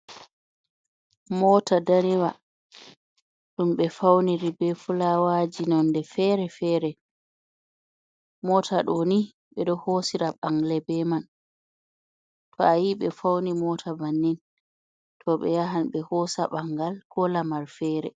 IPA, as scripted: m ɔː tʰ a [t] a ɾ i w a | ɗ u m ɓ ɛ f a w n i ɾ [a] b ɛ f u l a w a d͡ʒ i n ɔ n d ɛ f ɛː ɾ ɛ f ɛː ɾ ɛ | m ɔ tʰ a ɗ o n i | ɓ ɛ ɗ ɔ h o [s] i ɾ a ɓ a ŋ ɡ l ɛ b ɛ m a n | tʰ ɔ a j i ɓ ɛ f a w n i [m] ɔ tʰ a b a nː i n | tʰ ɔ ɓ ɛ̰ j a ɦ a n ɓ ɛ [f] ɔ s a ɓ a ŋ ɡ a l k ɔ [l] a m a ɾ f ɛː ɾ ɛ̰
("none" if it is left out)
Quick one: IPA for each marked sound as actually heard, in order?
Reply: d, i, s, m, h, l

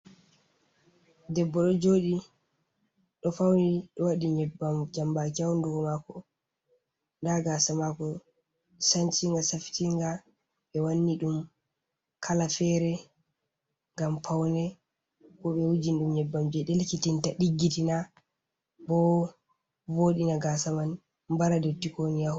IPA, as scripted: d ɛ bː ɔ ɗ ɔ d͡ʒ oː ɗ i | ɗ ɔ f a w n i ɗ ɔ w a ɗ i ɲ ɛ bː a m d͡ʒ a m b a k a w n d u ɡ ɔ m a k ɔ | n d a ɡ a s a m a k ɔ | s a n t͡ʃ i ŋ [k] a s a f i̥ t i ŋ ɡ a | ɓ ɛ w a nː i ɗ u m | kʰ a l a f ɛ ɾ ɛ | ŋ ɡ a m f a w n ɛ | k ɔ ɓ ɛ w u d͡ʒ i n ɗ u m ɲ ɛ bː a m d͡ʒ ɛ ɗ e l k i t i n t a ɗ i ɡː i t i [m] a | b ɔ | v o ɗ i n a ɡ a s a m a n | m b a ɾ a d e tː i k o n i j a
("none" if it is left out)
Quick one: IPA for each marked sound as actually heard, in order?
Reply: ɡ, n

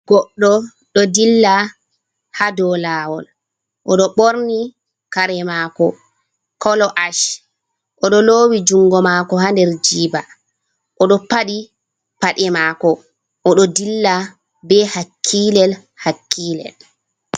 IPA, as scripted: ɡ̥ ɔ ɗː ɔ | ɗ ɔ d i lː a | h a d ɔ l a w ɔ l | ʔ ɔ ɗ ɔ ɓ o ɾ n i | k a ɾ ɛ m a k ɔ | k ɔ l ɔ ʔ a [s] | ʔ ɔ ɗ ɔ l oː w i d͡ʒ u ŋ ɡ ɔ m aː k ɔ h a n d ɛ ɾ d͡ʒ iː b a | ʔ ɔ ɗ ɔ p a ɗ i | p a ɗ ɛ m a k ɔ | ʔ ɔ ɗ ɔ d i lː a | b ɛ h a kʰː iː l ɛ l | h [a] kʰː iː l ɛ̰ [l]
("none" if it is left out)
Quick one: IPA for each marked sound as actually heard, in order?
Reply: ʃ, a, l

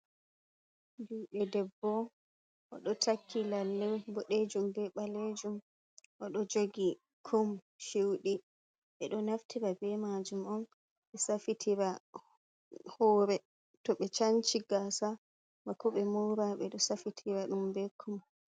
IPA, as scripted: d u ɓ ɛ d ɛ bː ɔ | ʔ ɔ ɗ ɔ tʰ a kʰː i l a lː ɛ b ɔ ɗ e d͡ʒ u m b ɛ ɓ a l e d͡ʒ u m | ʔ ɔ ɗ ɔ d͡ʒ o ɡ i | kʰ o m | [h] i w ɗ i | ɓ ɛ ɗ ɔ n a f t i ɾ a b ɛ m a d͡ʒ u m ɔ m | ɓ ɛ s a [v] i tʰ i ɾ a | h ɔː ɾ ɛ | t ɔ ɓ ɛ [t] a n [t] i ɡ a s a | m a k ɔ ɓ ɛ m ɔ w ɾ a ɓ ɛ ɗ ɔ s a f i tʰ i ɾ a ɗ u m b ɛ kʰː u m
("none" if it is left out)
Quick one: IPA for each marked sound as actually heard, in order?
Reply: ʃ, f, t͡ʃ, t͡ʃ

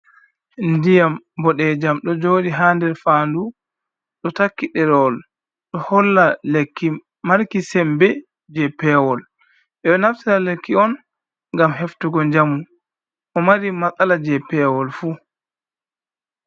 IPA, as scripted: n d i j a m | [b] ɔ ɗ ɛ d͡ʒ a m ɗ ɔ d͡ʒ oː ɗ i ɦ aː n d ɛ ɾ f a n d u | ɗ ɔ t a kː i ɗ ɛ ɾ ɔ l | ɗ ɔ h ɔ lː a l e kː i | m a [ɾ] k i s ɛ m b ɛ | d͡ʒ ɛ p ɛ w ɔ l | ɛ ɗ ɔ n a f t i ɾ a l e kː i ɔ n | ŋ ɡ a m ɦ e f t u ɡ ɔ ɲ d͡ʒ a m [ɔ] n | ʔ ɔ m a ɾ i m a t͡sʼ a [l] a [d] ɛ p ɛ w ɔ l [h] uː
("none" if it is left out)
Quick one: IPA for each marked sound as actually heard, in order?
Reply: b, ɾ, u, l, d͡ʒ, f

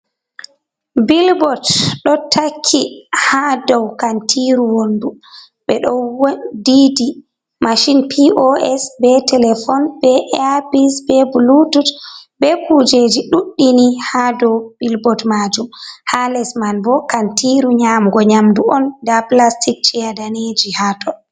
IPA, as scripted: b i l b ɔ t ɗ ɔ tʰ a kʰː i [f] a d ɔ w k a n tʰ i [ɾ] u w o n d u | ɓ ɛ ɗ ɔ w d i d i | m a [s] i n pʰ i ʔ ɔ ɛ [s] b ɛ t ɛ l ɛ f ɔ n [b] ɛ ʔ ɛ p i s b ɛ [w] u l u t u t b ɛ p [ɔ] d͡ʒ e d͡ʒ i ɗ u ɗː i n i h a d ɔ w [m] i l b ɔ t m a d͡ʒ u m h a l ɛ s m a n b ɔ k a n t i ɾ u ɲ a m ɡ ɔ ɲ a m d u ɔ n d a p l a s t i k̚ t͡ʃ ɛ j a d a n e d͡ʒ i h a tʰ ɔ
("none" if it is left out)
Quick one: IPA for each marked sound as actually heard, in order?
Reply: h, ɾ, ʃ, s, b, b, u, b

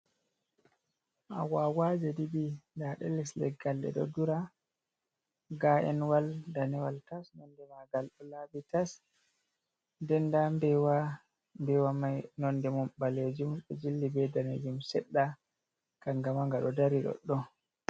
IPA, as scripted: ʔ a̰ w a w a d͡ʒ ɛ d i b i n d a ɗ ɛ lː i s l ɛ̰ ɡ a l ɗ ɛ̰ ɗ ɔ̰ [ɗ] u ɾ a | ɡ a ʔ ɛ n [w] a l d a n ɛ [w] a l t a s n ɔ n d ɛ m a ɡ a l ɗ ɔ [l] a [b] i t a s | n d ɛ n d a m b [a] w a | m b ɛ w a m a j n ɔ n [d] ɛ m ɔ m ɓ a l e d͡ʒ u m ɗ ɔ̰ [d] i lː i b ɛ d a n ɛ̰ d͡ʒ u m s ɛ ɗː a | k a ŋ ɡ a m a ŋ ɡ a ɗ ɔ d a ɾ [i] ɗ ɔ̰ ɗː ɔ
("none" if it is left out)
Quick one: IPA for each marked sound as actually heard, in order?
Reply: d, w, w, l, b, ɛ, d, d͡ʒ, i

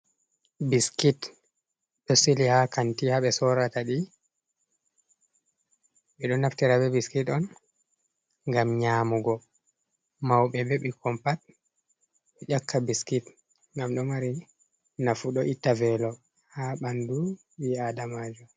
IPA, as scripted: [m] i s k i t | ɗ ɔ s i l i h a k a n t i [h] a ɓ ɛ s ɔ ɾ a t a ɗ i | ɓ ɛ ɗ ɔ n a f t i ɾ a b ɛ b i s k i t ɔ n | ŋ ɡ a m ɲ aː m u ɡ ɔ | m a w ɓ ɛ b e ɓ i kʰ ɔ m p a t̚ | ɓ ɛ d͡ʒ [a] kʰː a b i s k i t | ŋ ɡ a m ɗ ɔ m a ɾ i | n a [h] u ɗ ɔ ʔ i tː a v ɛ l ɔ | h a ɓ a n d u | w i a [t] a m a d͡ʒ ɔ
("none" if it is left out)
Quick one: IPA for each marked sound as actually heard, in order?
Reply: b, h, a, f, d

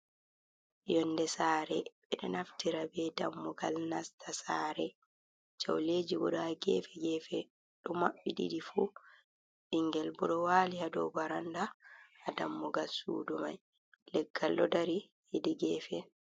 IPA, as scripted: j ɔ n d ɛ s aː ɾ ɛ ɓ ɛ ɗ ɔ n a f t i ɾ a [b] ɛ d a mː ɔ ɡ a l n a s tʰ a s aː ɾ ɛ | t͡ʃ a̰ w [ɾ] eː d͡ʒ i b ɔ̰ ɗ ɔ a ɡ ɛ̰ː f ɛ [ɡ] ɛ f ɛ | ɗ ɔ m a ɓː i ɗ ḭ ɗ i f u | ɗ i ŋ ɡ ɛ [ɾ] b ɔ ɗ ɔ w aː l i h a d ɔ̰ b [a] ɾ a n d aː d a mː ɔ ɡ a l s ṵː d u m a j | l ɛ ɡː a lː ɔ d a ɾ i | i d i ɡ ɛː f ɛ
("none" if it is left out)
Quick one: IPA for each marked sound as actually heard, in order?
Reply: b, l, ɡ, l, a

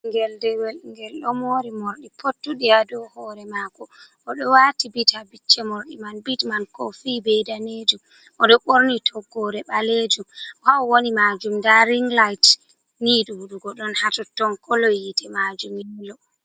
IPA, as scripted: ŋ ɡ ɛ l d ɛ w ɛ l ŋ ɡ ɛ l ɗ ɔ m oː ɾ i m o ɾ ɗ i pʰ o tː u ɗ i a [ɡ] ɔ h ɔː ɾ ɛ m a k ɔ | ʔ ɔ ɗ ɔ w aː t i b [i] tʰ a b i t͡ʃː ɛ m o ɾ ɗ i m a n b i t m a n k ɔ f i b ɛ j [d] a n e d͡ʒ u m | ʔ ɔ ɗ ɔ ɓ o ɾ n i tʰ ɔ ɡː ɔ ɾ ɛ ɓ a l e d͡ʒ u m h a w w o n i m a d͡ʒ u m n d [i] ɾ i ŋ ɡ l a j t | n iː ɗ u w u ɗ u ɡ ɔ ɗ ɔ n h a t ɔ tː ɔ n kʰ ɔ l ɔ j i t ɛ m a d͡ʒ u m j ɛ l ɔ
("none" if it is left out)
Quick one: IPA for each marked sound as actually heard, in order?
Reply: d, i, d, a

